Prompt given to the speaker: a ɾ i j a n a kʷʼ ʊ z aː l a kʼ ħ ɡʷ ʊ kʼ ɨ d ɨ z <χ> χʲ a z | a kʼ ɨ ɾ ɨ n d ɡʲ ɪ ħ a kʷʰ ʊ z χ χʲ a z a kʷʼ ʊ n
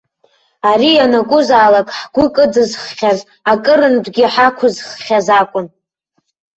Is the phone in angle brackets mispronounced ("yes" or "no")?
no